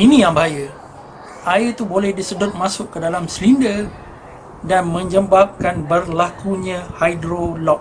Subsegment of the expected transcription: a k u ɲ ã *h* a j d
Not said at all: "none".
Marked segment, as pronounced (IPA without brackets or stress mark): h